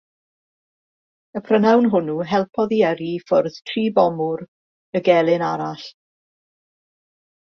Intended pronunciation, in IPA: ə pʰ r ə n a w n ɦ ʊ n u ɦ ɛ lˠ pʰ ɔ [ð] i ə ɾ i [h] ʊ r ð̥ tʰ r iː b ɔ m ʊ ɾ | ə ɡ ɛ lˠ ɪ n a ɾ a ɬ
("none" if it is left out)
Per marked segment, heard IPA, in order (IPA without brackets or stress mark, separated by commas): ð, f